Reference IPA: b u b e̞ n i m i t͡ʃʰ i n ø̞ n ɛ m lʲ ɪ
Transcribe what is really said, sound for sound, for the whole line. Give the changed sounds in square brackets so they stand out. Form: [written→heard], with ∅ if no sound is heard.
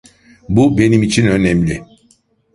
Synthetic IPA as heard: b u b e̞ n i m i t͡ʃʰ i n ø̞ n ɛ m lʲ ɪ